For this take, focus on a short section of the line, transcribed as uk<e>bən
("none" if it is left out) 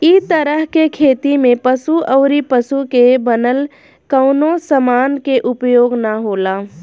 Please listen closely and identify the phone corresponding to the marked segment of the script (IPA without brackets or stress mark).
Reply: e